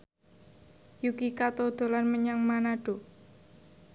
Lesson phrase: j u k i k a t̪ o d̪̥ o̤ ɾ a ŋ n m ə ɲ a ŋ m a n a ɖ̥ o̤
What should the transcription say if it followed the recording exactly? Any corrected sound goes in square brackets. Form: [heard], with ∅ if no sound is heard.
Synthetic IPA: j u k i k a t̪ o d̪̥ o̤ [l] a [∅] n m ə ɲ a ŋ m a n a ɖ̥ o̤